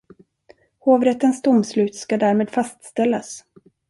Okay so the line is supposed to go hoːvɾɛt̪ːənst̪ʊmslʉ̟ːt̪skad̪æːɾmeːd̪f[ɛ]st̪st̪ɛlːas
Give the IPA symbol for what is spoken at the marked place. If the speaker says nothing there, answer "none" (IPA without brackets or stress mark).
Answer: a